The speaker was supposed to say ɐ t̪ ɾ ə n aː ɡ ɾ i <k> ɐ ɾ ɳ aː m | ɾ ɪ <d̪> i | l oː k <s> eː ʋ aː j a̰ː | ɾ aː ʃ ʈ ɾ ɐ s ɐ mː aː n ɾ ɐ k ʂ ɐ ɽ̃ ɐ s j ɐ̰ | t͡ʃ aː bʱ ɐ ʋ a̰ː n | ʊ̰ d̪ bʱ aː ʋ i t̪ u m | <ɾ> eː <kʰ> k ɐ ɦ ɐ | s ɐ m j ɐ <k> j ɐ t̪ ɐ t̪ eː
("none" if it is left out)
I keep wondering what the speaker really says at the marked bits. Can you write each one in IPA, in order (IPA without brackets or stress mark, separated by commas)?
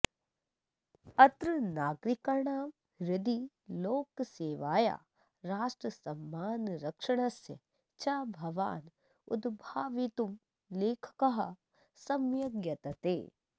k, d̪, s, l, kʰ, ɡ